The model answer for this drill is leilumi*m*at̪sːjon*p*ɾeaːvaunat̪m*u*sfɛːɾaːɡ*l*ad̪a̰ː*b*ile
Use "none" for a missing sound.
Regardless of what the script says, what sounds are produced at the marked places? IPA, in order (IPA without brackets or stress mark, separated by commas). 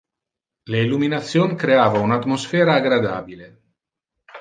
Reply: n, k, o, ɾ, b